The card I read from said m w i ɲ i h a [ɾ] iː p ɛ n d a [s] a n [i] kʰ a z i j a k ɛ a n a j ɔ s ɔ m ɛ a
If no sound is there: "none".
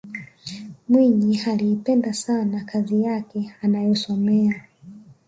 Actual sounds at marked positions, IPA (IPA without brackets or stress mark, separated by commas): l, s, a